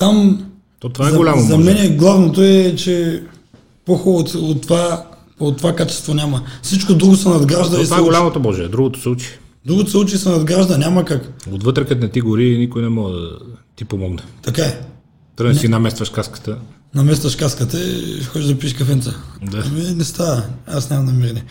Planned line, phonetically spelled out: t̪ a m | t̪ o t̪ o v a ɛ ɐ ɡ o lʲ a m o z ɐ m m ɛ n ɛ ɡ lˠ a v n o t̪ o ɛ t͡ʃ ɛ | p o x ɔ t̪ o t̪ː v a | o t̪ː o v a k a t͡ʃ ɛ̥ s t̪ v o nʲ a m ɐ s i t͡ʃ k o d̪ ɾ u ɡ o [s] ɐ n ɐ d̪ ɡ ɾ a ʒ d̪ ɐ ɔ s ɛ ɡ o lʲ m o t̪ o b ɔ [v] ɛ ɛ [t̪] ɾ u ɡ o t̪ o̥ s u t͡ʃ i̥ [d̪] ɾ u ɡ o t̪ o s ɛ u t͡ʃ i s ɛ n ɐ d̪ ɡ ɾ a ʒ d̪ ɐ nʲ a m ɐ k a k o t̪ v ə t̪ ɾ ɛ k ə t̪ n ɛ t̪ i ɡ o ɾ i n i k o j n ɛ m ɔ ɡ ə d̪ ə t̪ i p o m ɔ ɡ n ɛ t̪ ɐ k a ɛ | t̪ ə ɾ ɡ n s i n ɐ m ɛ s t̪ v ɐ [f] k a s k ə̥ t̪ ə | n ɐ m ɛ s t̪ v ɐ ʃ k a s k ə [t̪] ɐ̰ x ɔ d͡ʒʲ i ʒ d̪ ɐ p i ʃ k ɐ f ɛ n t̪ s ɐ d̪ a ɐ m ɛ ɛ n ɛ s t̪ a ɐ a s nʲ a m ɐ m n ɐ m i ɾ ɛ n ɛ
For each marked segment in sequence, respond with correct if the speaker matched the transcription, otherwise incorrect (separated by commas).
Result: correct, incorrect, incorrect, correct, incorrect, correct